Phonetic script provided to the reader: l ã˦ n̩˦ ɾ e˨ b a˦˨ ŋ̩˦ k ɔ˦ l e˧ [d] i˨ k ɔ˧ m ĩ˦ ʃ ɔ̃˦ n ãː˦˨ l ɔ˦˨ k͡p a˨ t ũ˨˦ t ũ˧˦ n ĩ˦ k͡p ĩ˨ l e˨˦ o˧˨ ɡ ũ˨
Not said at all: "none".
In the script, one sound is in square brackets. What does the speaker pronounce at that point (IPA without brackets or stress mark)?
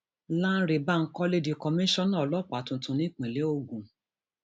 d